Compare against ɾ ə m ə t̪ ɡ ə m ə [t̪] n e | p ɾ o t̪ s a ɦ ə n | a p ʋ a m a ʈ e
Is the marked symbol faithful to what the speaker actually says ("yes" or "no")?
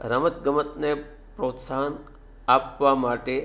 yes